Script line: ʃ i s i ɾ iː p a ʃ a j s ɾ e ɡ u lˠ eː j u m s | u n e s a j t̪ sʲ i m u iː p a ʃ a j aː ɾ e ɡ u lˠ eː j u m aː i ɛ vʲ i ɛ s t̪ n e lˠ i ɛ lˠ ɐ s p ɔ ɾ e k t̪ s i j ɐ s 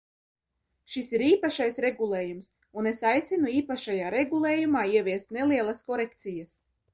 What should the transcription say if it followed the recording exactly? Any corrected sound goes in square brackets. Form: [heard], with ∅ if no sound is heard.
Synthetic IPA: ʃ i s i ɾ iː p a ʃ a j s ɾ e ɡ u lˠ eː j u m s | u n e s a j t̪ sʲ i [n] u iː p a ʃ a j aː ɾ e ɡ u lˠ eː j u m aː i ɛ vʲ i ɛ s t̪ n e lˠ i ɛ lˠ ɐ s [k] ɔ ɾ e k t̪ s i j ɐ s